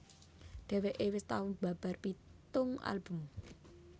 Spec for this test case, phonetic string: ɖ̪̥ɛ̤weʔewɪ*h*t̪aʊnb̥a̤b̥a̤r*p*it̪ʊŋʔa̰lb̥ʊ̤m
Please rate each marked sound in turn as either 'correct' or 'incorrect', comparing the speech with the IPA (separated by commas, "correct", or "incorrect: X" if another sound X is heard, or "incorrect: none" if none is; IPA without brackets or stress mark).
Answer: incorrect: s, correct